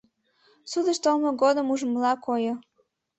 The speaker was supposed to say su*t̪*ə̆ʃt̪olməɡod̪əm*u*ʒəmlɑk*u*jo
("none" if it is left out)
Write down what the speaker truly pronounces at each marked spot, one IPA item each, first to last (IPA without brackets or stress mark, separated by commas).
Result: d̪, u, o